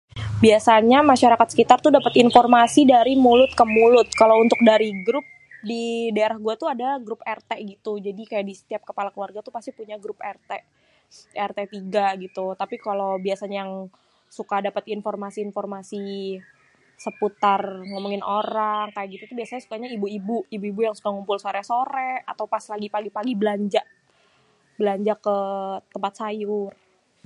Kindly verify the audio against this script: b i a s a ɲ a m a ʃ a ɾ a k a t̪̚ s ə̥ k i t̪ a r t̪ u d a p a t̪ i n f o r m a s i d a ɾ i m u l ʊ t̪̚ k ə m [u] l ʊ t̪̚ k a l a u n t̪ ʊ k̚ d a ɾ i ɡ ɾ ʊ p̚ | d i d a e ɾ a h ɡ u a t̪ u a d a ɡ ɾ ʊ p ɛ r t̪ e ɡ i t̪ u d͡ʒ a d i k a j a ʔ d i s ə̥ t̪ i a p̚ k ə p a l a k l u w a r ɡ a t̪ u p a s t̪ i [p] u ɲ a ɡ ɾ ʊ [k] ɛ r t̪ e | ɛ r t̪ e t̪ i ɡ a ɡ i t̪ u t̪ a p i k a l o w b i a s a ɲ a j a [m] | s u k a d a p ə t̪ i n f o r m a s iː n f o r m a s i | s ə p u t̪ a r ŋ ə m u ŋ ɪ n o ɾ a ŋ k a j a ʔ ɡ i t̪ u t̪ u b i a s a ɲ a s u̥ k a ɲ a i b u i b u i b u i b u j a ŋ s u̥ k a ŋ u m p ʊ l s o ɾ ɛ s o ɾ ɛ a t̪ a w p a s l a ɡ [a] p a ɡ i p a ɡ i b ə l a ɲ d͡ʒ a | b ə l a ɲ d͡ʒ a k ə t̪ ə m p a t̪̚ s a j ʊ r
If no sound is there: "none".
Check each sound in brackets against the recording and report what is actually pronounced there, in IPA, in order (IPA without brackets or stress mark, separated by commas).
u, p, p, ŋ, i